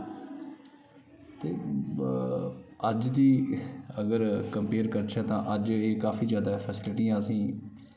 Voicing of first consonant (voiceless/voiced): voiceless